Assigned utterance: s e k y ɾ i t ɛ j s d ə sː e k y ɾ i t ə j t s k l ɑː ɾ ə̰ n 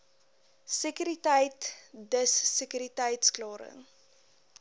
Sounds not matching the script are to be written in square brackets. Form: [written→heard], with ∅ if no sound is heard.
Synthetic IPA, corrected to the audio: s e k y ɾ i t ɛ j [s→t] d ə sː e k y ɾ i t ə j t s k l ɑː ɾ ə̰ [n→ŋ]